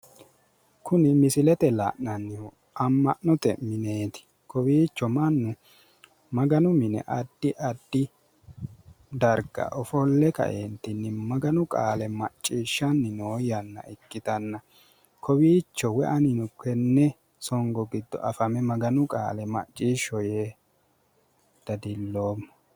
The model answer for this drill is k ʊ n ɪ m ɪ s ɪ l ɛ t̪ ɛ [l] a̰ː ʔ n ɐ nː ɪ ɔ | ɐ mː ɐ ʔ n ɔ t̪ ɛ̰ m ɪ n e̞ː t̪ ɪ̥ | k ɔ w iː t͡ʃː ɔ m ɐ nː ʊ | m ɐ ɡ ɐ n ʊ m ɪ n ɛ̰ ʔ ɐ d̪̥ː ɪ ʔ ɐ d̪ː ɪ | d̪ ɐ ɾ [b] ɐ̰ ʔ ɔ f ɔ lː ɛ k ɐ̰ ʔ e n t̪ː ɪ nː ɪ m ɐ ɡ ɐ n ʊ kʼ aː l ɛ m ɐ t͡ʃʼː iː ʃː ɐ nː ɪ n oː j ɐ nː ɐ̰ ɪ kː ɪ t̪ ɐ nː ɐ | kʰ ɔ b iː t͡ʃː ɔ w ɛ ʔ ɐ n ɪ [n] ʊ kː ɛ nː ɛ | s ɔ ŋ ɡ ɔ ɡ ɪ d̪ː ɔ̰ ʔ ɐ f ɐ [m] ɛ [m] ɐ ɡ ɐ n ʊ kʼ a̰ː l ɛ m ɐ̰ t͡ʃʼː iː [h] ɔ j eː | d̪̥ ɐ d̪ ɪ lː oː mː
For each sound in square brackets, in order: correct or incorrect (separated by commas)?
correct, incorrect, correct, correct, correct, incorrect